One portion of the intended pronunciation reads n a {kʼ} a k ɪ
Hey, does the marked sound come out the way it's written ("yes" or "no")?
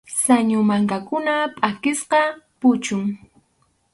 no